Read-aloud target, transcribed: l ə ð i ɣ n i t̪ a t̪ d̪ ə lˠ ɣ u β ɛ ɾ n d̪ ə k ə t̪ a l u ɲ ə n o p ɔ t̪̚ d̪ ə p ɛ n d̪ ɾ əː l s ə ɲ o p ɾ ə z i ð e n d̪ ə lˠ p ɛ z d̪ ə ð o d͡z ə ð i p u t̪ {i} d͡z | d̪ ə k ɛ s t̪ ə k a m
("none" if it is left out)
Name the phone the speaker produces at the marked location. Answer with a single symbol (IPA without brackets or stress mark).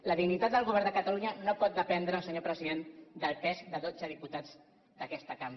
a